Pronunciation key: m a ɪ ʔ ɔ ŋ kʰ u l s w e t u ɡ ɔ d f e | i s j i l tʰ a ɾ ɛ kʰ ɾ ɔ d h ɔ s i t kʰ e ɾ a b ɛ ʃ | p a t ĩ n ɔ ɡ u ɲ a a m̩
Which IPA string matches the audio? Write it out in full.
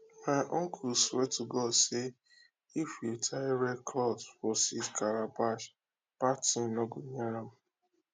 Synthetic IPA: m a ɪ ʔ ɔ ŋ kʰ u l s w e t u ɡ ɔ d s e | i f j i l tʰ a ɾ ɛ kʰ l ɔ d f ɔ s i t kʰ a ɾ a b a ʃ | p a t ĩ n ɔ ɡ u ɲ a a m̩